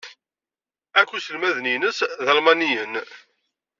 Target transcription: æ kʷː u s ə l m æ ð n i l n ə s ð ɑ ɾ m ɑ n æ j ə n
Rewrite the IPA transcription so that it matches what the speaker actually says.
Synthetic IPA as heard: æ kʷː u s ə l m æ ð n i n ə s ð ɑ l m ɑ n i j ə n